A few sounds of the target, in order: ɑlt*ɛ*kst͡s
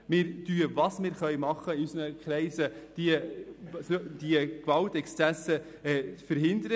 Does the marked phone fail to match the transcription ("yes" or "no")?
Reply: no